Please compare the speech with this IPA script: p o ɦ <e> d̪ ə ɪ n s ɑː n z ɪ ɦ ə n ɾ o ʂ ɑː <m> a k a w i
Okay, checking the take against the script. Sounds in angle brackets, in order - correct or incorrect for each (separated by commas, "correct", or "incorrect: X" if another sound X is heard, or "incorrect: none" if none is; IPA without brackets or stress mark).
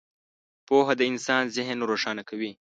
incorrect: a, incorrect: n